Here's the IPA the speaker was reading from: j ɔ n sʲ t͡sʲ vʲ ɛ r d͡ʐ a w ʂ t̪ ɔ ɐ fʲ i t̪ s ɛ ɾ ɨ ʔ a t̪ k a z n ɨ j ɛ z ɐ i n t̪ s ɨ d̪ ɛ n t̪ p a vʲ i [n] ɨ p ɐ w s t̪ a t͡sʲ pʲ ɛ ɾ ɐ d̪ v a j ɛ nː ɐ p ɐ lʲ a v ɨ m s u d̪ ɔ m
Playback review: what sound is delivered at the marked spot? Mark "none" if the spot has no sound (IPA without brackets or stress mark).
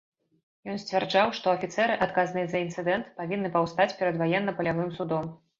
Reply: nː